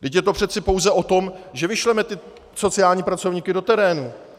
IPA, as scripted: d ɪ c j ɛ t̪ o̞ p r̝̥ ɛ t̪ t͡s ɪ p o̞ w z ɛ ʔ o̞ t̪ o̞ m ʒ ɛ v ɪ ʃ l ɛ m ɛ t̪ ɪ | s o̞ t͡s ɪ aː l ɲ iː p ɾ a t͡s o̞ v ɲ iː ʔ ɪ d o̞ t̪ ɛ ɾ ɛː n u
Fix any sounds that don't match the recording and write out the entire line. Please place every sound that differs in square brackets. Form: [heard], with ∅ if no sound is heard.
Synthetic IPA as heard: d ɪ c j ɛ t̪ o̞ p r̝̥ ɛ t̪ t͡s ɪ p o̞ w z ɛ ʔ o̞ t̪ o̞ m ʒ ɛ v ɪ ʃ l ɛ m ɛ t̪ ɪ | s o̞ t͡s ɪ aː l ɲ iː p ɾ a t͡s o̞ v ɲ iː [k] ɪ d o̞ t̪ ɛ ɾ ɛː n u